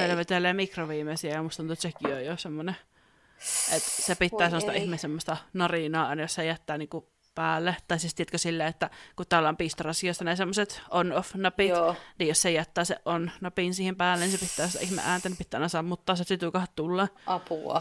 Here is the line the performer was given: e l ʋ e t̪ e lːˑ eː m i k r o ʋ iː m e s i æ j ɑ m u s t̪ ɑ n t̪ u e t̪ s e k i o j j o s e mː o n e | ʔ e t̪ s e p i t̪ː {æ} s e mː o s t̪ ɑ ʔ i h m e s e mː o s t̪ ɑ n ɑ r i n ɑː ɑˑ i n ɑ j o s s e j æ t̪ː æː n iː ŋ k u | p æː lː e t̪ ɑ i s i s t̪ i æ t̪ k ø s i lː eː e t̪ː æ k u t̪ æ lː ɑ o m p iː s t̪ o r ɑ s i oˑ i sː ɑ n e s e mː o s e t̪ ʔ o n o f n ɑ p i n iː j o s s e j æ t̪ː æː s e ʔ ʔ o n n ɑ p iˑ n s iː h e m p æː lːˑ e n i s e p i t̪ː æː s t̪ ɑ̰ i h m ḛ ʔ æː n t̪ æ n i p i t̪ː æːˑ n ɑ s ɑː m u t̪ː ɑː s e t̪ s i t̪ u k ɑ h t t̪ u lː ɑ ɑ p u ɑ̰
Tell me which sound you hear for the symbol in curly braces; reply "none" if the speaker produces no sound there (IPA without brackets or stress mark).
æː